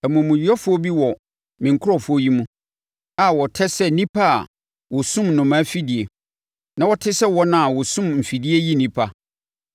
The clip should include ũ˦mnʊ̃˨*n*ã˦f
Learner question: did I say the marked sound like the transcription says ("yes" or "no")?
no